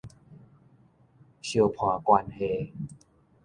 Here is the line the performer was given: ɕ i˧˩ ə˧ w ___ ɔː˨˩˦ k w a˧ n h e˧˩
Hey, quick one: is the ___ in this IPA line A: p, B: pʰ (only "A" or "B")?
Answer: B